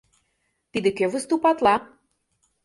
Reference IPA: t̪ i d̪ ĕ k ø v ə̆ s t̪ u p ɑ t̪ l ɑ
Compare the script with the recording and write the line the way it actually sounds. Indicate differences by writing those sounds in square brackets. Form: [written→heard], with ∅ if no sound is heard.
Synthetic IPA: t̪ i d̪ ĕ k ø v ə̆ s t̪ u p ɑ t̪ l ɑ

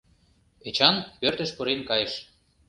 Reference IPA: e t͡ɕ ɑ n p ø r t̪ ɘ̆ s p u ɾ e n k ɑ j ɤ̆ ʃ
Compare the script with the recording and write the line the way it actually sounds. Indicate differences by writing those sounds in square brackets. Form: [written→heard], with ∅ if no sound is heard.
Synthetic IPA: e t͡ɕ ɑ n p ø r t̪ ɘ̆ [s→ʃ] p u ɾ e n k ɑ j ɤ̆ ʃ

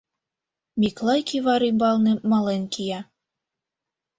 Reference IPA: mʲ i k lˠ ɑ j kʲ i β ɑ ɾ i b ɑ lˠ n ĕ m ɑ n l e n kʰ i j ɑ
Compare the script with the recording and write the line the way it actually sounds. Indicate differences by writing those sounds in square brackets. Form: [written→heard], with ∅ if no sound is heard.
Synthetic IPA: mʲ i k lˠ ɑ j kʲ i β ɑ ɾ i b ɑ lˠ n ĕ m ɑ [n→∅] l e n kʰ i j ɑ

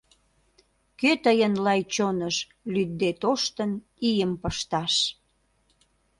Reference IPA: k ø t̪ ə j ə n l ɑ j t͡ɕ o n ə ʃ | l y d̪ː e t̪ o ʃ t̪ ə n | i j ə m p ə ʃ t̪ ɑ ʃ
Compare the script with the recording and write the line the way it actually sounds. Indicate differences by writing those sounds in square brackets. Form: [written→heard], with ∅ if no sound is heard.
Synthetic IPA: k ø t̪ ə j ə n l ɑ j t͡ɕ o n ə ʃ | l y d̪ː e t̪ o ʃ t̪ ə n | i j ə m p ə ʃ t̪ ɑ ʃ

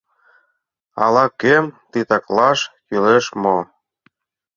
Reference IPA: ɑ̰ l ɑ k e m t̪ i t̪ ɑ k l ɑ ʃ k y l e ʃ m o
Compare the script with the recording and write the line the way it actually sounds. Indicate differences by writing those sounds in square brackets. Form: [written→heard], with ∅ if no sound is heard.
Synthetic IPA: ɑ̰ l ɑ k e m t̪ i t̪ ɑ k l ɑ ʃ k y l e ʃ m o

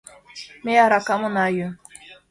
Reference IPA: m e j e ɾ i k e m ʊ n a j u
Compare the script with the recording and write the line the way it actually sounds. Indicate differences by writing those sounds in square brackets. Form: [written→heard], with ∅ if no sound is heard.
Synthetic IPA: m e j [e→a] ɾ [i→a] k [e→a] m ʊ n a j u

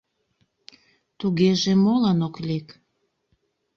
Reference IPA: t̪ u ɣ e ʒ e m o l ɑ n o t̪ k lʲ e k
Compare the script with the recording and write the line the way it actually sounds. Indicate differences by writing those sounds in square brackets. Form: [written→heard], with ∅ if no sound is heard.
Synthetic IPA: t̪ u ɣ e ʒ e m o l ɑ n o [t̪→∅] k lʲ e k

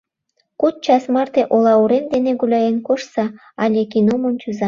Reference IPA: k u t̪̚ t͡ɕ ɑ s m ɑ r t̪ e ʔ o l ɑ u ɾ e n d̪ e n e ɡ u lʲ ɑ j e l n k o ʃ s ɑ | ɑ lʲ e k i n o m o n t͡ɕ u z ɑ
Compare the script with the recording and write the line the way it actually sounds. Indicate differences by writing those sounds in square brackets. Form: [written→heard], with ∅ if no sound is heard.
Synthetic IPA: k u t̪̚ t͡ɕ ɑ s m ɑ r t̪ e ʔ o l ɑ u ɾ e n d̪ e n e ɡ u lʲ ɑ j e [l→∅] n k o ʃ s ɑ | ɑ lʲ e k i n o m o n t͡ɕ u z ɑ

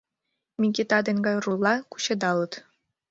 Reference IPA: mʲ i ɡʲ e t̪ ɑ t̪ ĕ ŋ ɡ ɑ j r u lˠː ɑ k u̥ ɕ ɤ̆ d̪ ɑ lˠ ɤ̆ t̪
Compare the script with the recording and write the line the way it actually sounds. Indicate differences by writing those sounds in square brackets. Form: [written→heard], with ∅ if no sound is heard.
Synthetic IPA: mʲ i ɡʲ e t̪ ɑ [t̪→d̪] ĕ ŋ ɡ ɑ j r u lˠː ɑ k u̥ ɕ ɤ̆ d̪ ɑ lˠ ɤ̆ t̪

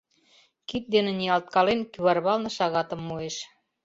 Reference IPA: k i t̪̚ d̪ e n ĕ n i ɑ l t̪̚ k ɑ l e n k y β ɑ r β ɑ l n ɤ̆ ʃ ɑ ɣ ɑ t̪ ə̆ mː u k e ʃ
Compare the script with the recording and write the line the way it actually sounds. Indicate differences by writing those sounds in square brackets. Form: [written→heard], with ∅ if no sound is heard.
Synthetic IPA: k i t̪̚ d̪ e n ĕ n i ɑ l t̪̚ k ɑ l e n k y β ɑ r β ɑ l n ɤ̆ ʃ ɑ ɣ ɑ t̪ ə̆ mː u [k→∅] e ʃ

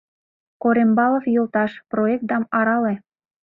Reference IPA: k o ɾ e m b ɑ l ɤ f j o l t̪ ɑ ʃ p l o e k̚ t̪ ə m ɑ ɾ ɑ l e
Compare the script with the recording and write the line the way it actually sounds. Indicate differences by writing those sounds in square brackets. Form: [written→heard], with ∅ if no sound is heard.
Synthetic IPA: k o ɾ e m b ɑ l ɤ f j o l t̪ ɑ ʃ p [l→r] o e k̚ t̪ [ə→ɑ] m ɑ ɾ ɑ l e

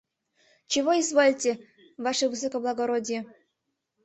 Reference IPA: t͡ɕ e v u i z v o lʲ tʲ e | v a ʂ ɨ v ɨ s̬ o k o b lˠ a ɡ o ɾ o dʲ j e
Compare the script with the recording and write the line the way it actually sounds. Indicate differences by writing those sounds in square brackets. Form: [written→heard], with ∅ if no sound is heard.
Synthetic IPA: t͡ɕ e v [u→o] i z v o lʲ tʲ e | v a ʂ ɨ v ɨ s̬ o k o b lˠ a ɡ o ɾ o dʲ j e

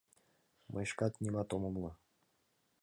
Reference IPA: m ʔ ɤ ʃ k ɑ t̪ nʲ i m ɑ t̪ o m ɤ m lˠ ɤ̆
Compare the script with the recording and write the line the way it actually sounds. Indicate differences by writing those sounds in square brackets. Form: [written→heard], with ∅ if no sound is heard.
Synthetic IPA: m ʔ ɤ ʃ k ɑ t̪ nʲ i m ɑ t̪ o m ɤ m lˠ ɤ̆

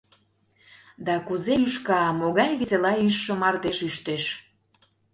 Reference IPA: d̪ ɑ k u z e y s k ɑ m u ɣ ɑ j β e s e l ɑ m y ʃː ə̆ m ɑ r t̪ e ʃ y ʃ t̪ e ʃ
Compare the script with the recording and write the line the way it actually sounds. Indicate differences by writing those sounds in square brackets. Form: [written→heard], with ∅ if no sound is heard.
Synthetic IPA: d̪ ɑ k u z e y [s→ʃ] k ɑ m [u→o] ɣ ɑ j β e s e l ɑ [m→∅] y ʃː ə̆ m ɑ r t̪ e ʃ y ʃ t̪ e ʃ

